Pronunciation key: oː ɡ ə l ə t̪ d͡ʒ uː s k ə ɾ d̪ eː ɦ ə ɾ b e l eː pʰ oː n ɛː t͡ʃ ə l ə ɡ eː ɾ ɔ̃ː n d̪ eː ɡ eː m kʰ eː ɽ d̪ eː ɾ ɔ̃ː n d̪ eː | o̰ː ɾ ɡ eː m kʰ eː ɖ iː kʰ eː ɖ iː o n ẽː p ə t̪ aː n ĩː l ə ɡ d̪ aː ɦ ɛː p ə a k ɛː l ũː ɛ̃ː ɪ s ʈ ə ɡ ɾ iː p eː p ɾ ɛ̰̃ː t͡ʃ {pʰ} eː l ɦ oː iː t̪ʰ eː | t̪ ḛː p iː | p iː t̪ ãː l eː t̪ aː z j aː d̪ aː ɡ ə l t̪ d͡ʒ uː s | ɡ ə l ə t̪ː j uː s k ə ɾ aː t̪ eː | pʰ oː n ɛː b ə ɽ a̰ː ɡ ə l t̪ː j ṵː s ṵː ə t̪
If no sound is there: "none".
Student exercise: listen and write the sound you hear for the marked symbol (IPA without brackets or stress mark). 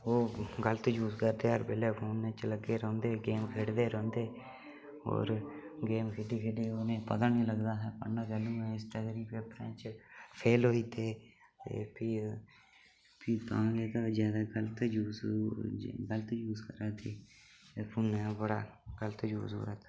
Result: pʰ